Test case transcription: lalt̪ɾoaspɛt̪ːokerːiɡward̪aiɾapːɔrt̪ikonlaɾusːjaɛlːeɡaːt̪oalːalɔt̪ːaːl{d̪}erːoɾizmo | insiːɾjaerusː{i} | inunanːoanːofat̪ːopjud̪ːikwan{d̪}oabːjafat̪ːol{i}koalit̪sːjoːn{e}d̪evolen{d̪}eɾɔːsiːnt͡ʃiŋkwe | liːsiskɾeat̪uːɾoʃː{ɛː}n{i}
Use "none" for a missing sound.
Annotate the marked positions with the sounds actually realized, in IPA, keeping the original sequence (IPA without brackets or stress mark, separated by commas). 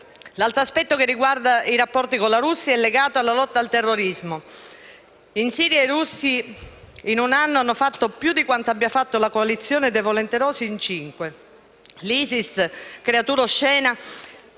t̪, i, t̪, a, e, t̪, ɛː, a